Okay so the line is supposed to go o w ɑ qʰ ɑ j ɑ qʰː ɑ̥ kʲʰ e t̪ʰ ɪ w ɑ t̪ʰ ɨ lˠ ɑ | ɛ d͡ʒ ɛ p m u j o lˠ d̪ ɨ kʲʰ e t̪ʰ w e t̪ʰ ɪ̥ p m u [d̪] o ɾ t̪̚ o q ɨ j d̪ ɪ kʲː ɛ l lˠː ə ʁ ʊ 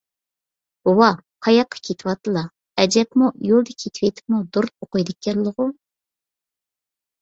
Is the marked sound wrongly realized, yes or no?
no